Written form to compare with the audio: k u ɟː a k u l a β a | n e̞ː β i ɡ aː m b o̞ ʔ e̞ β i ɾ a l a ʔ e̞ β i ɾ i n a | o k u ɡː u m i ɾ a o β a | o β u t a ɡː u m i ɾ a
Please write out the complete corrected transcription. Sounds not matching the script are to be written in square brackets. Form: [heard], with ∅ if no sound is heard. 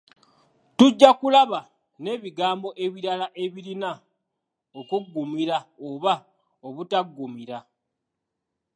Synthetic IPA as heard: [t] u ɟː a k u l a β a | n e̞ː β i ɡ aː m b o̞ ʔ e̞ β i ɾ a l a ʔ e̞ β i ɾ i n a | o k u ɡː u m i ɾ a o β a | o β u t a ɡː u m i ɾ a

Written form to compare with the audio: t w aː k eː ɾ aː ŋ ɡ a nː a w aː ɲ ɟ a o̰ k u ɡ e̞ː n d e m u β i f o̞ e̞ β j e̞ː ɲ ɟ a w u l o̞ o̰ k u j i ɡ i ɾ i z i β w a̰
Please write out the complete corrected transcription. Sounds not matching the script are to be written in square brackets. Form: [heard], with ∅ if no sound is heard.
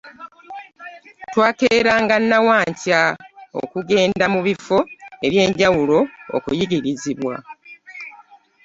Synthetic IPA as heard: t w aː k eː ɾ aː ŋ ɡ a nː a w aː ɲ [c] a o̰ k u ɡ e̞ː n d [a] m u β i f o̞ e̞ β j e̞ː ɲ ɟ a w u l o̞ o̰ k u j i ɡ i ɾ i z i β w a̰

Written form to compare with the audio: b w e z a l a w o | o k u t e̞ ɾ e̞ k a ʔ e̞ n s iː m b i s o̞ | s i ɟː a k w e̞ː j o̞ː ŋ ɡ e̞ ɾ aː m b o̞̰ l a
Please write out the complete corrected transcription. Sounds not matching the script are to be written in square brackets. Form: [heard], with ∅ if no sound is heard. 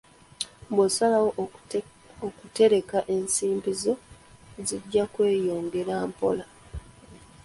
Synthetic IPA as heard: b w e [s] a l a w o | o k u t e̞ ɾ e̞ k a ʔ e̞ n s iː m b i [z] o̞ | [z] i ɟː a k w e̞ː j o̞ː ŋ ɡ e̞ ɾ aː m [p] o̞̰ l a

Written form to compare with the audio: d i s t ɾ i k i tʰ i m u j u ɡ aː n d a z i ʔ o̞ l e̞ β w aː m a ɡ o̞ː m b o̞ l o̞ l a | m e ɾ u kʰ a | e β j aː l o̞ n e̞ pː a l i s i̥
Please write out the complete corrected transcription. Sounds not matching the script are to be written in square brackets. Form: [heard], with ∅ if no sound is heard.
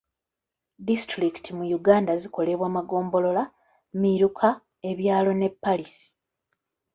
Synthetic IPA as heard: d i s t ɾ i k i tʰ i m u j u ɡ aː n d a z i [k] o̞ l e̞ β w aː m a ɡ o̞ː m b o̞ l o̞ l a | m [i] ɾ u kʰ a | e β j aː l o̞ n e̞ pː a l i s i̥

